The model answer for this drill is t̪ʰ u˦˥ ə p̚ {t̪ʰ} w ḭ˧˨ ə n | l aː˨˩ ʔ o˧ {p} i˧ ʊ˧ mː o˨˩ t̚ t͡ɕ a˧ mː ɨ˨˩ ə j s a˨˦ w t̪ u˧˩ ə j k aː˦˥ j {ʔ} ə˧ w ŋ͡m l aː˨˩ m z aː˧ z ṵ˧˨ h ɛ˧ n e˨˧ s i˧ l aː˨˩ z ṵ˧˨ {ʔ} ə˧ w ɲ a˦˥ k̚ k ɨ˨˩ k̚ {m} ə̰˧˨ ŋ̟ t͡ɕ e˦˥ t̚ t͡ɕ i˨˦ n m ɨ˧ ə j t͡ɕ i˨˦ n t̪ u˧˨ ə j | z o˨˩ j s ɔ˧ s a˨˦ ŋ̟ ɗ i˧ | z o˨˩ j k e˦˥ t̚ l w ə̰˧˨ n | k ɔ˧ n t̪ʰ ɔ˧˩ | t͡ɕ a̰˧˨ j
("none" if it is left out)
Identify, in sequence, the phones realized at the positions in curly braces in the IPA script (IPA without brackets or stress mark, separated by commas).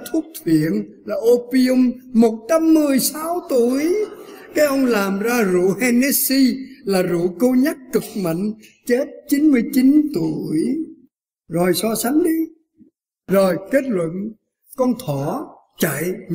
t̪ʰ, p, ʔ, k, m